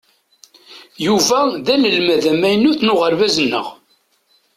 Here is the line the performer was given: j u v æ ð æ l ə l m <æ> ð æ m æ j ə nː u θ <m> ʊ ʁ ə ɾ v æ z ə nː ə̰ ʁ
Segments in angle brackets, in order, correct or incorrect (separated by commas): correct, incorrect